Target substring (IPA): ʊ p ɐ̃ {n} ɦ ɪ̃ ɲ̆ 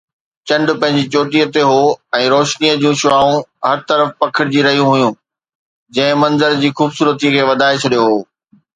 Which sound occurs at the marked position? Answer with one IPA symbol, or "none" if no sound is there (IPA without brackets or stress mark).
none